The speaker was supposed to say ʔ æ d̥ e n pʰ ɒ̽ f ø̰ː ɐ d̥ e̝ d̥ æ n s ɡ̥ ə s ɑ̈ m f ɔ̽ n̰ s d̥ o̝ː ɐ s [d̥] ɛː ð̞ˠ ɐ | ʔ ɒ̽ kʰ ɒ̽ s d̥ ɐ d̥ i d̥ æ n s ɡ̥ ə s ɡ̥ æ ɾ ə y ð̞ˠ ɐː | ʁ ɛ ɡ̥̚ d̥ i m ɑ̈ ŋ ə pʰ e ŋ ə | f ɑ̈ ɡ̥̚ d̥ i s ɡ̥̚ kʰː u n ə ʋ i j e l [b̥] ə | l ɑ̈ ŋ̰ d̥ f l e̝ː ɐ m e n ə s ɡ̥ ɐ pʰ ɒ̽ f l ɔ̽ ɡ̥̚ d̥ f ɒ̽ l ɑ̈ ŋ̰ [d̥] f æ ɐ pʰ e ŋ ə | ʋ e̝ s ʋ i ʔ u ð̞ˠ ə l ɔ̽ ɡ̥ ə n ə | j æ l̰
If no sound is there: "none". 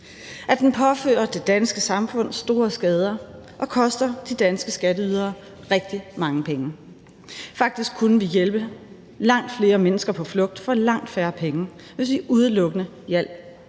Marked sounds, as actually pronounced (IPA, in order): ɡ̥, b̥, d̥

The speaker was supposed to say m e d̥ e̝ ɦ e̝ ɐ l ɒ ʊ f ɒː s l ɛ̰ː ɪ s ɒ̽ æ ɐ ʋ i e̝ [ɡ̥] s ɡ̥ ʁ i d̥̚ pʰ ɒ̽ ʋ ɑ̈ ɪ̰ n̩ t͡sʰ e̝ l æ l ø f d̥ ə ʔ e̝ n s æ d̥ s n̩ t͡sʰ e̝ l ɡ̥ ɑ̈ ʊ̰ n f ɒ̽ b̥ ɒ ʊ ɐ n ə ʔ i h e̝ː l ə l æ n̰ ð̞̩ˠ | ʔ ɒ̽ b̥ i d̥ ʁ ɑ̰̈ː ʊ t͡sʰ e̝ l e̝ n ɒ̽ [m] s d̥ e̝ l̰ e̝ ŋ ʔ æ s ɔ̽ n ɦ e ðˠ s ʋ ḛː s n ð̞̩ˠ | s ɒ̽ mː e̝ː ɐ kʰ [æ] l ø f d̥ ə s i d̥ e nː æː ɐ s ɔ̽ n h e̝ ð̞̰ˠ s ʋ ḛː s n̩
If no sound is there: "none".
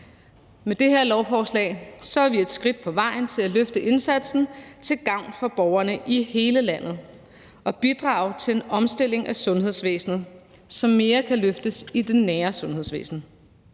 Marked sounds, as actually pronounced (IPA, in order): d̥, m, æ

